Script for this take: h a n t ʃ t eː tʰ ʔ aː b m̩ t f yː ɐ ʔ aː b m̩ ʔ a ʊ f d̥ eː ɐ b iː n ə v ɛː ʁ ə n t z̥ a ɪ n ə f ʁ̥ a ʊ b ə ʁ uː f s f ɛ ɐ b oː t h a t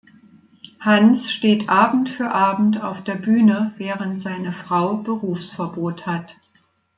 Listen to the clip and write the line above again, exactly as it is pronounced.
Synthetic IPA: h a n s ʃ t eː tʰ ʔ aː b m̩ t f yː ɐ ʔ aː b m̩ t a ʊ f d̥ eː ɐ b yː n ə v ɛː ʁ ə n t z̥ a ɪ n ə f ʁ̥ a ʊ b ə ʁ uː f s f ɛ ɐ b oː t h a t